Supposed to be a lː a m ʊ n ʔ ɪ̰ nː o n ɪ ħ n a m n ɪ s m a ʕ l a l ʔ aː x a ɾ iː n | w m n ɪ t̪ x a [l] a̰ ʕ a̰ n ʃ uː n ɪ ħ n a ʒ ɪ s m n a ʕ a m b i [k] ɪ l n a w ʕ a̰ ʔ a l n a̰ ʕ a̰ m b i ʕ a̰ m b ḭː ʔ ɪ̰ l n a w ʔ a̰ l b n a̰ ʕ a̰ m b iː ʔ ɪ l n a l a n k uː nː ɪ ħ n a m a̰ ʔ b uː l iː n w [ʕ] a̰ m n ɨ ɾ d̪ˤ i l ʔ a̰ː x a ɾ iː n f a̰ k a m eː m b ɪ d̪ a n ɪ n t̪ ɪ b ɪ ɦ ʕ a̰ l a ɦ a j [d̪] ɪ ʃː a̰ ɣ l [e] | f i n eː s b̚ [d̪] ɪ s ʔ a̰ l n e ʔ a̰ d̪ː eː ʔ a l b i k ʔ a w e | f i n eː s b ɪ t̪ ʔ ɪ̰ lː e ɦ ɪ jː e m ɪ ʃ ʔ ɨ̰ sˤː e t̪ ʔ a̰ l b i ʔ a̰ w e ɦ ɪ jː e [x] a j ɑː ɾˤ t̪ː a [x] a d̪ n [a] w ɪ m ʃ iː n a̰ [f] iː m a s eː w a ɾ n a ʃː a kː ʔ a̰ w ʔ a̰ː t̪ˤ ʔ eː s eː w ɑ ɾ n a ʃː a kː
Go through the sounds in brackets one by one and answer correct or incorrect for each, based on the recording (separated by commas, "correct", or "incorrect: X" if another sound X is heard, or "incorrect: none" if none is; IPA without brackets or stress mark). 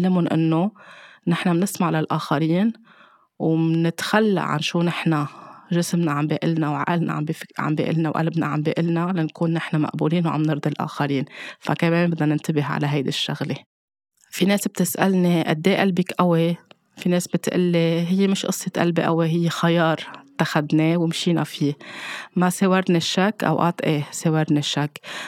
incorrect: lː, incorrect: ʔ, correct, correct, correct, incorrect: t̪, correct, correct, incorrect: e, correct